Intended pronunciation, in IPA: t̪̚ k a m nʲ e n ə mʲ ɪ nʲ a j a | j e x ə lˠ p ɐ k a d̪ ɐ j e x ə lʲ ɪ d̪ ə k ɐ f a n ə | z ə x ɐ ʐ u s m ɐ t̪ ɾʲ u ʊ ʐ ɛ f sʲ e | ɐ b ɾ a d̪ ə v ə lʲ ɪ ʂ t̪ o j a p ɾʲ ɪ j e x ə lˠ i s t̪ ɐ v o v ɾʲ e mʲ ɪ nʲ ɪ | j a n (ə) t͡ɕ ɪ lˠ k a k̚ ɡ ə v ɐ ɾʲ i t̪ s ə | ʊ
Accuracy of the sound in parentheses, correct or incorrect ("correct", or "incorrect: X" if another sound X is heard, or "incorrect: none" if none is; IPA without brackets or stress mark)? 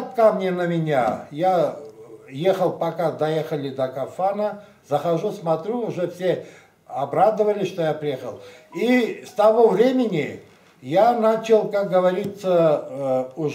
incorrect: a